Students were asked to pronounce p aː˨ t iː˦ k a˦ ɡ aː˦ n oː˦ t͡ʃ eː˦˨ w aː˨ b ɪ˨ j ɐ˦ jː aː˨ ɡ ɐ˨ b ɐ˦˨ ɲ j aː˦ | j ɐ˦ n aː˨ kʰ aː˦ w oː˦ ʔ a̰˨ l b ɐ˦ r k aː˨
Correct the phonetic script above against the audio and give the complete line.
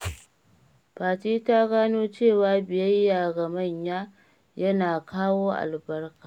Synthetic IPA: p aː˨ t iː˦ t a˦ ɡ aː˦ n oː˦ t͡ʃ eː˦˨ w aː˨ b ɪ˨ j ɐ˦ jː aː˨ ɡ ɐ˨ m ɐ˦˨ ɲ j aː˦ | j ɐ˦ n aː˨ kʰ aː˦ w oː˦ ʔ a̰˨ l b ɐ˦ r k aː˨